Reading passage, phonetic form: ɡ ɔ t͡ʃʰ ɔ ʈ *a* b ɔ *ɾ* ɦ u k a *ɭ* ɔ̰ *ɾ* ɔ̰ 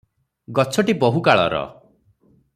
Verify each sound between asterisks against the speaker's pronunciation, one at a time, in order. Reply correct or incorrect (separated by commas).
incorrect, incorrect, correct, correct